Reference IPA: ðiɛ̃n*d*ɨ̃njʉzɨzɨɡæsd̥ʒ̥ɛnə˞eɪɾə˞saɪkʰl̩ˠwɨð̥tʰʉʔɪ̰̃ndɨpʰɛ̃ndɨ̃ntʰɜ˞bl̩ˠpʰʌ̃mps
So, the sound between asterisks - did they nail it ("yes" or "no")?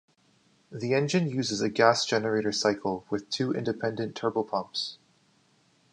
no